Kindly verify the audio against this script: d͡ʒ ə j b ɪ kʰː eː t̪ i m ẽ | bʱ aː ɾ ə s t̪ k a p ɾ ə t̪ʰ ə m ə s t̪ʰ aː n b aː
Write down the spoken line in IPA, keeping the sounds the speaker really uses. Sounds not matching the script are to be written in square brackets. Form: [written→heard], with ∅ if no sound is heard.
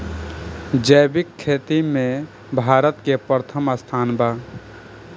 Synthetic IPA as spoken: d͡ʒ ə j b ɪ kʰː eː t̪ i m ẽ | bʱ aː ɾ ə [s→∅] t̪ k [a→e] p ɾ ə t̪ʰ ə m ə s t̪ʰ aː n b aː

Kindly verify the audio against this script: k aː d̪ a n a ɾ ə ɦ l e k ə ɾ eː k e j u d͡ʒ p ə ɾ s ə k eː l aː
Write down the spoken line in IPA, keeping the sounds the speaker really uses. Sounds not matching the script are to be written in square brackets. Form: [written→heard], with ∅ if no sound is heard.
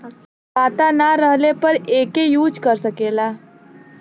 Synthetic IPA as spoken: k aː [d̪→t̪] a n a ɾ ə ɦ l e [k→p] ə ɾ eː k e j [u→uː] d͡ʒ [p→k] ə ɾ s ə k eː l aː

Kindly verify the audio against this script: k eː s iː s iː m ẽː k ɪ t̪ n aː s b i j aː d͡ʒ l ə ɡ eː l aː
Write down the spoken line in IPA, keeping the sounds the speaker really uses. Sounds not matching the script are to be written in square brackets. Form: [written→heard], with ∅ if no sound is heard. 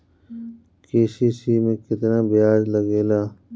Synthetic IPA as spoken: k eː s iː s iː m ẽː k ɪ t̪ n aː [s→∅] b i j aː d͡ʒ l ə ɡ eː l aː

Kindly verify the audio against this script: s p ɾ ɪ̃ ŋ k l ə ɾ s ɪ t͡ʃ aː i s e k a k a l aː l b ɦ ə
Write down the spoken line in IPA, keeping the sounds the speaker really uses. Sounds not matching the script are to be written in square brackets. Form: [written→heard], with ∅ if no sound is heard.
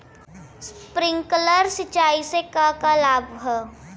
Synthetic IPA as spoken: s p ɾ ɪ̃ ŋ k l ə ɾ s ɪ t͡ʃ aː i s e k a k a l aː [l→∅] b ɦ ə

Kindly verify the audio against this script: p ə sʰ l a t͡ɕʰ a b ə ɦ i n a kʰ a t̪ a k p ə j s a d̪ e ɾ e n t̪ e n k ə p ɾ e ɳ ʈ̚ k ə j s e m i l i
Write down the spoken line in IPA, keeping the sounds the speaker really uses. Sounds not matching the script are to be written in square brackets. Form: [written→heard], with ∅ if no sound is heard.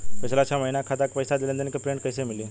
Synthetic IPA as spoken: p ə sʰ l a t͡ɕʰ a [b→m] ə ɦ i n a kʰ a t̪ a k p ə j s a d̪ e [ɾ→l] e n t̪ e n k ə p ɾ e ɳ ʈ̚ k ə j s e m i l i

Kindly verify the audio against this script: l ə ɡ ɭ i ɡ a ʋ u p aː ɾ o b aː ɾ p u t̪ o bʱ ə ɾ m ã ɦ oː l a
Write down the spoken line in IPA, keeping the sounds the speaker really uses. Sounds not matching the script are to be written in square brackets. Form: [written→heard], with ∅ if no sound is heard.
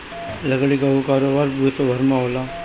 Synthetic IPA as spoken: l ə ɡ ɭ i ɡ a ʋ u [p→k] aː ɾ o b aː ɾ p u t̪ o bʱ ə ɾ m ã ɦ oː l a

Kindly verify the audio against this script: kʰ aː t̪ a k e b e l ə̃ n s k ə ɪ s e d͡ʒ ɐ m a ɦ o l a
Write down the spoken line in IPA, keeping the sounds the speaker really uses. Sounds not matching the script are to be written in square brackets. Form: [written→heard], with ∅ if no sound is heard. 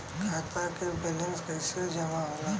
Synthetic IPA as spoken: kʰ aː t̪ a k e b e l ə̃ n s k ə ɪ s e d͡ʒ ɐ m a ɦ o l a

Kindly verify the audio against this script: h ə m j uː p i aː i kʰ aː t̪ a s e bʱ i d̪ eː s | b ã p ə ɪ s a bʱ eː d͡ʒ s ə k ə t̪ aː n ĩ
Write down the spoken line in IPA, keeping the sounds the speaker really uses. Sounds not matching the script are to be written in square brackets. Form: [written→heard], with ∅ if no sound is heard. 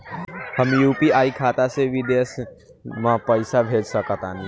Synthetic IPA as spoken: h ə m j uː p i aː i kʰ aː t̪ a s e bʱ i d̪ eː s | [b→m] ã p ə ɪ s a bʱ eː d͡ʒ s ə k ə t̪ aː n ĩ

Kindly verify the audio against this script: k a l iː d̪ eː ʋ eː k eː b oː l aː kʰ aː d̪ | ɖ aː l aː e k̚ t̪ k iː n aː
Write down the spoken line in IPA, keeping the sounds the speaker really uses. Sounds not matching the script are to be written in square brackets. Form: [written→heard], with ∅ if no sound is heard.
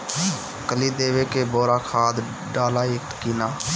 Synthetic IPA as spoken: k [a→ə] l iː d̪ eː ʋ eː k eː b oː [l→ɾ] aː kʰ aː d̪ | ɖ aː l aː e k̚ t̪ k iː n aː

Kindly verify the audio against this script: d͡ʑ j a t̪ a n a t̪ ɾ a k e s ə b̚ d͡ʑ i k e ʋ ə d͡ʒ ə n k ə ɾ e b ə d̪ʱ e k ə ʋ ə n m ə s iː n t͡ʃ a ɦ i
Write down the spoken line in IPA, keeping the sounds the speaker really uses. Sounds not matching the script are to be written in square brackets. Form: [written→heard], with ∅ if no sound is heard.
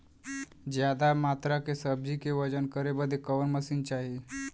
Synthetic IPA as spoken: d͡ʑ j a [t̪→d̪] a [n→m] a t̪ ɾ a k e s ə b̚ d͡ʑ i k e ʋ ə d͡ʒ ə n k ə ɾ e b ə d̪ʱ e k ə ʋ ə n m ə s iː n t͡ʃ a ɦ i

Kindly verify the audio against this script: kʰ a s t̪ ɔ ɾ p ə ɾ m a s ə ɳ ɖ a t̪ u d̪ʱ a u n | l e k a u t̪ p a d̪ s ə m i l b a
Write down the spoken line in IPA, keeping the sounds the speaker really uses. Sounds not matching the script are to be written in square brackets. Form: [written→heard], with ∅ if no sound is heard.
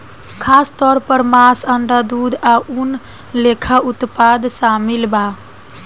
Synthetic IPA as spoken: kʰ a s t̪ ɔ ɾ p ə ɾ m a s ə ɳ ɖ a [t̪→d̪] u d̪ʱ a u n | l e [k→kʰ] a u t̪ p a d̪ s [ə→a] m i l b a

